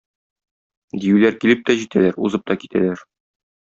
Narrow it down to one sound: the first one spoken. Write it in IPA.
d̪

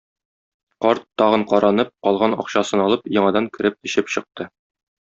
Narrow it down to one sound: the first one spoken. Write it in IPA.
q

